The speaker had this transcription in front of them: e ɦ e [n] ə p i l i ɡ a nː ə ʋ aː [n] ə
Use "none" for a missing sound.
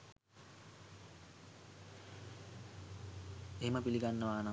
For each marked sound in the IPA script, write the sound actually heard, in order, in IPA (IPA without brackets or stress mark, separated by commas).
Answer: m, n